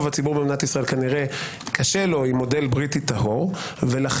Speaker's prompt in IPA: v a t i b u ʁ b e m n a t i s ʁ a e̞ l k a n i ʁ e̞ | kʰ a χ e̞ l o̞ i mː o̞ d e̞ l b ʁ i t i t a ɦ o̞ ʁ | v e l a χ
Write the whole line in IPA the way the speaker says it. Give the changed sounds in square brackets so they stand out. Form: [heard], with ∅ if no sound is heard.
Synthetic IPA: v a [t͡s] i b u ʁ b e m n a t i s ʁ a e̞ l k a n i ʁ e̞ | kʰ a [ʃ] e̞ l o̞ i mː o̞ d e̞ l b ʁ i t i t a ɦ o̞ ʁ | v e l a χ